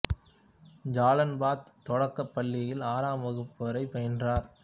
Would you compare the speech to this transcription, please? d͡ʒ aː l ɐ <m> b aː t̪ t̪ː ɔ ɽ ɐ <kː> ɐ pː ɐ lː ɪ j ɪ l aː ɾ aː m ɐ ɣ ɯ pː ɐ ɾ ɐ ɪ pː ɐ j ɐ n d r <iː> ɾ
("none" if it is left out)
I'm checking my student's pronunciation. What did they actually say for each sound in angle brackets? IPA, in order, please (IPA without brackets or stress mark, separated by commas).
n, kː, aː